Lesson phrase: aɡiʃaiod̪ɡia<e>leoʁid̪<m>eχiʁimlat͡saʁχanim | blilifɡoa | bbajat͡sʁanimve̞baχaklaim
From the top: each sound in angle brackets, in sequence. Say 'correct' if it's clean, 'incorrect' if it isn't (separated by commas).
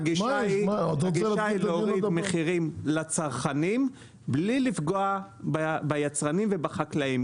incorrect, correct